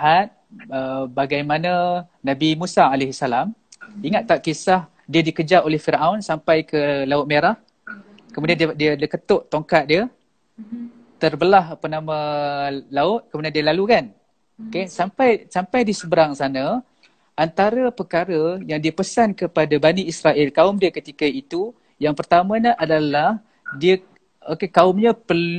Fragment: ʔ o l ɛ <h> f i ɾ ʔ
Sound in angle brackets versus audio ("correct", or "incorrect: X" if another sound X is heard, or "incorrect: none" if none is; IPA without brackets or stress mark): correct